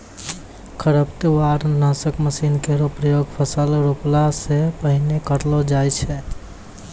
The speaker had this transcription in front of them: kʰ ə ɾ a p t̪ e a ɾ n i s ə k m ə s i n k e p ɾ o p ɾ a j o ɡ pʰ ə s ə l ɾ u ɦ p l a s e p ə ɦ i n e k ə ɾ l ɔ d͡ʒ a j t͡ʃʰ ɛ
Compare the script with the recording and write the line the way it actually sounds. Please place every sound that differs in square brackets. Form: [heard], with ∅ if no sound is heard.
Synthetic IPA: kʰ ə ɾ [ə] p t̪ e a ɾ n [a] s ə k m ə s i n k e [∅] ɾ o p ɾ [ə] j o ɡ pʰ ə s ə l ɾ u [∅] p l a s e p ə ɦ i n e k ə ɾ l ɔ d͡ʒ a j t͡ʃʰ ɛ